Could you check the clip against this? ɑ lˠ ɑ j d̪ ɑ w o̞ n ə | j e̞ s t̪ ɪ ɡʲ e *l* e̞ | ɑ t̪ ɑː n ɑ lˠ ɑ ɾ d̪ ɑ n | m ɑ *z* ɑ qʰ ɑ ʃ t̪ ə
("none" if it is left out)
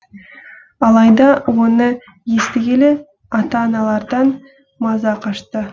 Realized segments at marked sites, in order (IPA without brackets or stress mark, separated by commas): l, z